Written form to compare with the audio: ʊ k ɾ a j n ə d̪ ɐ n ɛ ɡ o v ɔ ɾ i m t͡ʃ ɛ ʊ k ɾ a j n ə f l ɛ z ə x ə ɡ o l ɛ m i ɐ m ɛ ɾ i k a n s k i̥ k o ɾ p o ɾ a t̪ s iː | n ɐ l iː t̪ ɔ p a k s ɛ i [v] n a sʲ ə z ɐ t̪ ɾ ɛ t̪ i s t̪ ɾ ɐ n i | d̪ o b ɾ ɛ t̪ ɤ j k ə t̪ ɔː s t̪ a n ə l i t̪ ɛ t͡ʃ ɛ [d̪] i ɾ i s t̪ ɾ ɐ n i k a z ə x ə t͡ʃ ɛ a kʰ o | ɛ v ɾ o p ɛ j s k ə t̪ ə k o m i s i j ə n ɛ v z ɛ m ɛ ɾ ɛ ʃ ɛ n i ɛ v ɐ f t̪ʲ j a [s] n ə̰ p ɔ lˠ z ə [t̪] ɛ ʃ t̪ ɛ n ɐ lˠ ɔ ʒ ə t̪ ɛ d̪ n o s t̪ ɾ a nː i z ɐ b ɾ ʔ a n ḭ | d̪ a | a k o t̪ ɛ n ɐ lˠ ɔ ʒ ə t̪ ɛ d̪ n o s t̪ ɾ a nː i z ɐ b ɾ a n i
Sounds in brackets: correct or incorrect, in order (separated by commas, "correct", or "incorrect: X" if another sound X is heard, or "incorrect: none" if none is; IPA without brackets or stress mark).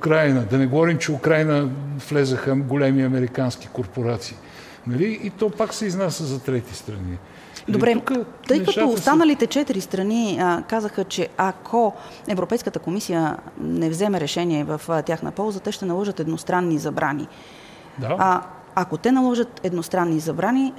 incorrect: z, incorrect: t̪, incorrect: x, correct